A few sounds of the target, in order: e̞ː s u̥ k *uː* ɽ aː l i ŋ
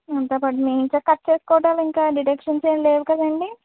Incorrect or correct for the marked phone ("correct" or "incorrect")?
incorrect